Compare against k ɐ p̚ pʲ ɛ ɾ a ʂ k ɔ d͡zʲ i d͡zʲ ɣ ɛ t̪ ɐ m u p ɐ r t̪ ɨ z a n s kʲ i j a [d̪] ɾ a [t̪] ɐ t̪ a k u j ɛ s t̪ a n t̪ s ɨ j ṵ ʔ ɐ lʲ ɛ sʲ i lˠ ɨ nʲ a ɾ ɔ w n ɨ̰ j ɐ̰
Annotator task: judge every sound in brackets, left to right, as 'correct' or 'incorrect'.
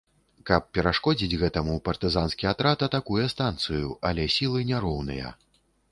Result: incorrect: t̪, correct

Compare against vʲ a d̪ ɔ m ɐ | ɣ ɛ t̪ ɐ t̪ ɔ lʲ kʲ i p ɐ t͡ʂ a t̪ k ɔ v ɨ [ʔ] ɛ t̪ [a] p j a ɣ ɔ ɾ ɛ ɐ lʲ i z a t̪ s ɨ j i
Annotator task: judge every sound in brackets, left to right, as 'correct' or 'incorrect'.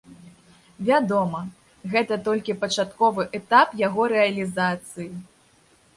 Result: correct, correct

